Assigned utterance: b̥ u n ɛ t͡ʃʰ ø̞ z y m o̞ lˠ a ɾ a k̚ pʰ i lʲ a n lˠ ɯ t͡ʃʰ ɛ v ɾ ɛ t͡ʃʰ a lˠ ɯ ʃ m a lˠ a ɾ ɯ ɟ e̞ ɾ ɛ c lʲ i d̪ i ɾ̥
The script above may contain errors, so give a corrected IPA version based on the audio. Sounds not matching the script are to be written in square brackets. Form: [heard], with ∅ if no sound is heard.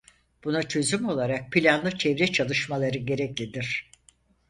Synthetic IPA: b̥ u n [a] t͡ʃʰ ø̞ z y m o̞ lˠ a ɾ a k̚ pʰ i lʲ a n lˠ ɯ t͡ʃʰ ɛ v ɾ ɛ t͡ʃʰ a lˠ ɯ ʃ m a lˠ a ɾ ɯ ɟ e̞ ɾ ɛ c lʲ i d̪ i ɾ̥